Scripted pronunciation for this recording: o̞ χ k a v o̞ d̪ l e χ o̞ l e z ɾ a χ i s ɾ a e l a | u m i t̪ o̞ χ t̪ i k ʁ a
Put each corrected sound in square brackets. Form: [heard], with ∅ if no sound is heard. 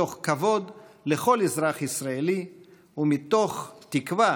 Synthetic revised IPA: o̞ χ k a v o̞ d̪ l e χ o̞ l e z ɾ a χ i s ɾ a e l [i] | u m i t̪ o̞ χ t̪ i k [v] a